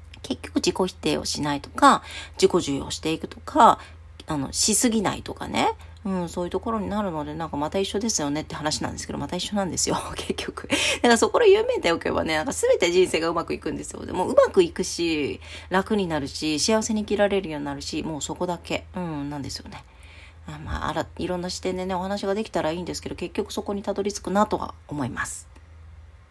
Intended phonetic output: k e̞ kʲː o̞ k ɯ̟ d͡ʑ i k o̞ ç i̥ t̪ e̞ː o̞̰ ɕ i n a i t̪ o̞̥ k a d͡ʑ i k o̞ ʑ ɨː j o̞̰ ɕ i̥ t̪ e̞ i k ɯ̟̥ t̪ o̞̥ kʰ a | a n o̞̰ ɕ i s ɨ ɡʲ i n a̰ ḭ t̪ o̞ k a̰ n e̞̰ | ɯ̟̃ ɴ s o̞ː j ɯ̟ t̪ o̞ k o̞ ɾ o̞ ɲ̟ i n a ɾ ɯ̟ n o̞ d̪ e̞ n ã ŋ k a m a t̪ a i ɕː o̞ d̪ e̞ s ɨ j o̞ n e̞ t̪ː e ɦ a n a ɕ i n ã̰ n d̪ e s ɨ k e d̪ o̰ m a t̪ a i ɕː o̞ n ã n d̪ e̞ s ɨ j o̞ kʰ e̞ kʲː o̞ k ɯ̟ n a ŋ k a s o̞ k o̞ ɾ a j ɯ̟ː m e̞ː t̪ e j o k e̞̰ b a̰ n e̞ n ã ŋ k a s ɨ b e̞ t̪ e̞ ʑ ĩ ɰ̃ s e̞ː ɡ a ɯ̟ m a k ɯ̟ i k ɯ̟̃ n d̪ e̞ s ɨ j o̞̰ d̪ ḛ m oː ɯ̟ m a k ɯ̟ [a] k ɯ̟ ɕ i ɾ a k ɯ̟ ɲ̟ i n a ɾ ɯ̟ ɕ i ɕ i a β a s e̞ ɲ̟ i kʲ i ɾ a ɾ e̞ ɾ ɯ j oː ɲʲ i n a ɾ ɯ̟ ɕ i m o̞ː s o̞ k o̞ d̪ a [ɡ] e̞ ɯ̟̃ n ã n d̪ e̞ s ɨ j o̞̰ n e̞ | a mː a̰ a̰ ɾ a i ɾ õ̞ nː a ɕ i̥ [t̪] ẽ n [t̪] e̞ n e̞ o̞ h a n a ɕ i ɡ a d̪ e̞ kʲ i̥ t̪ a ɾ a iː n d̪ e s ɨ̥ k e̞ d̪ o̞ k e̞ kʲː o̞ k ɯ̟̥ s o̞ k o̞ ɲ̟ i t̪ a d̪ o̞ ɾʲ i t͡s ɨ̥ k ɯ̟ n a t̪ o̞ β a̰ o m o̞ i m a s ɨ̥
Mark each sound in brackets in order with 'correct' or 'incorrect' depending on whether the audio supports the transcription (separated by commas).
incorrect, incorrect, correct, incorrect